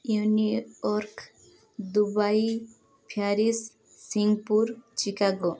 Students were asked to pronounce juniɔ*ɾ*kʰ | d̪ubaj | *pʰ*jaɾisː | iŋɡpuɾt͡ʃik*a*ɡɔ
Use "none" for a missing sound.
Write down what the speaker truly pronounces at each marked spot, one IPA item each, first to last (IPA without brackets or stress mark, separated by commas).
ɾ, pʰ, a